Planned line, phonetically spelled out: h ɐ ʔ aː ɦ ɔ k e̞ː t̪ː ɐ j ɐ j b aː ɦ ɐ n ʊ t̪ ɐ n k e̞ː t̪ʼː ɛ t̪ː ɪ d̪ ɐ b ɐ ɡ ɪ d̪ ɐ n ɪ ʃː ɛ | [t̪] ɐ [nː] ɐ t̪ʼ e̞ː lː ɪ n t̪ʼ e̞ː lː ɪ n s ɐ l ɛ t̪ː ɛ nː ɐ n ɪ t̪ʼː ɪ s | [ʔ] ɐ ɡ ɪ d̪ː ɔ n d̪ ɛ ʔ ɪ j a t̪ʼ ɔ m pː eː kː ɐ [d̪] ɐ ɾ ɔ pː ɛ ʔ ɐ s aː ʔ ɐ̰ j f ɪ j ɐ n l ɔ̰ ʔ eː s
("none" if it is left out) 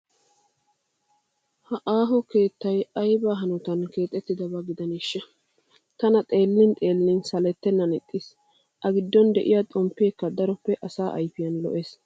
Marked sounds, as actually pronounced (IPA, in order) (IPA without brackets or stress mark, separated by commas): t̪, n, ʔ, d̪